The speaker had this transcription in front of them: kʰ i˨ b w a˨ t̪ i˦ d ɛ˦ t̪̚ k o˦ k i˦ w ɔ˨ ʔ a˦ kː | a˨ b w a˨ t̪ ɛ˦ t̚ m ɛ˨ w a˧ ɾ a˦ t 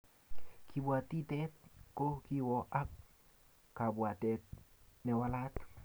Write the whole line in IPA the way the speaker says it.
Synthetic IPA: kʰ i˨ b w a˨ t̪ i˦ t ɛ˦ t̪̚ k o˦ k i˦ w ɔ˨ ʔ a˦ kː | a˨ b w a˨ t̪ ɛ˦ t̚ n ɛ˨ w a˧ l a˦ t